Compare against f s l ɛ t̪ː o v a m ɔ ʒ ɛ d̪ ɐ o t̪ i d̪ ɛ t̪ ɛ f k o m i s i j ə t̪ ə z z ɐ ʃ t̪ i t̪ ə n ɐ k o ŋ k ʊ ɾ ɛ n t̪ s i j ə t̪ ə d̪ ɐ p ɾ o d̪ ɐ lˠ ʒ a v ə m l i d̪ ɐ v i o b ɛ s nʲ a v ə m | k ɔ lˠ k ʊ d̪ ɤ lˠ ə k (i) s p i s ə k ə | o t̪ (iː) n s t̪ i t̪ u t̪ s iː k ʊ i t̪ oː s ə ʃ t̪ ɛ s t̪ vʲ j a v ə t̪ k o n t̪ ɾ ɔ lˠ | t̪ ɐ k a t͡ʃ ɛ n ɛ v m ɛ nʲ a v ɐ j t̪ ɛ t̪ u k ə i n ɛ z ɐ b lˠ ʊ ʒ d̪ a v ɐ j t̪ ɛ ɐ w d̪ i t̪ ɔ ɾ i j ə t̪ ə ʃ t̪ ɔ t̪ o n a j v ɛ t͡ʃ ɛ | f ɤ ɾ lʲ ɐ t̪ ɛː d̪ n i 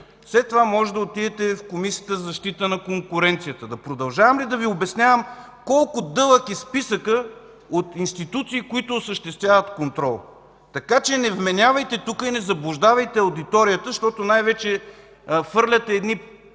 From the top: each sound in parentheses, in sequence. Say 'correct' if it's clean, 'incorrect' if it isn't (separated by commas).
correct, incorrect